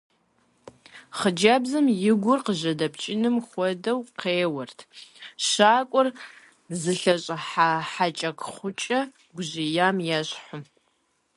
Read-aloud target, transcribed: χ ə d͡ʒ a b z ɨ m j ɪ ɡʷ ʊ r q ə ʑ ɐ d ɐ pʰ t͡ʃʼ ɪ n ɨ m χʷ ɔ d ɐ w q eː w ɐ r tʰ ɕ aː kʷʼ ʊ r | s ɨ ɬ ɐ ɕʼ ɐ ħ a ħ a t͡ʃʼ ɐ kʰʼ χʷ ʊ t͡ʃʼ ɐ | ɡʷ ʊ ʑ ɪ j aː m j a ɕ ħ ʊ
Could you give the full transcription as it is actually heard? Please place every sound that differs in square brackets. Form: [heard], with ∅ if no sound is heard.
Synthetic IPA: χ ə d͡ʒ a b z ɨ m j ɪ ɡʷ ʊ r q ə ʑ ɐ d ɐ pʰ t͡ʃʼ ɪ n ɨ m χʷ ɔ d ɐ w q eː w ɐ r tʰ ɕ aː kʷʼ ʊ r | [z] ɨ ɬ ɐ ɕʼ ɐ ħ a ħ a t͡ʃʼ ɐ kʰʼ χʷ ʊ t͡ʃʼ ɐ | ɡʷ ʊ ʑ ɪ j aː m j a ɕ ħ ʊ